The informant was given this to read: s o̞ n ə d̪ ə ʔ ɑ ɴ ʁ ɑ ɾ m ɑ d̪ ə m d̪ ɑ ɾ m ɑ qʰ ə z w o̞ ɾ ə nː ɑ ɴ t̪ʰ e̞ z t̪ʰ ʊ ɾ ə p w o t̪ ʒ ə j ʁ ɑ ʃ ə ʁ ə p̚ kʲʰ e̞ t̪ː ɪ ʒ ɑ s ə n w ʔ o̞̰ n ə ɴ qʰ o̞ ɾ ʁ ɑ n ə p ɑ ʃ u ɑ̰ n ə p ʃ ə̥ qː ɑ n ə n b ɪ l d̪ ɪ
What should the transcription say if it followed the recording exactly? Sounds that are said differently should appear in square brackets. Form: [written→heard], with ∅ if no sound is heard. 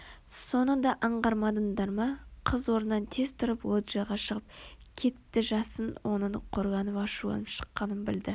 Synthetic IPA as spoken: s o̞ n ə d̪ [ə→ɑ] ʔ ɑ ɴ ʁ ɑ ɾ m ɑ d̪ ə [m→n] d̪ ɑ ɾ m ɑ qʰ ə z w o̞ ɾ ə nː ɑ [ɴ→n] t̪ʰ e̞ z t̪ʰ ʊ ɾ ə p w o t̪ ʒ [ə→ɑ] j ʁ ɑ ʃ ə ʁ ə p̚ kʲʰ e̞ t̪ː ɪ ʒ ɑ s ə n w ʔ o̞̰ n ə ɴ qʰ o̞ ɾ ʁ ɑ n ə p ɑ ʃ u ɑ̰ n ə p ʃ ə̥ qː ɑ n ə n b ɪ l d̪ ɪ